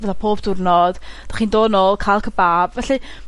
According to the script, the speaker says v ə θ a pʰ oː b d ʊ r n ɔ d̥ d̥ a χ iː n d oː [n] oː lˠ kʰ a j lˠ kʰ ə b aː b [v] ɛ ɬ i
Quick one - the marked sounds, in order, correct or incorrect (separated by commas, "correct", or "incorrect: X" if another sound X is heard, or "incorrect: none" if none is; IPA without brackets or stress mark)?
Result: correct, correct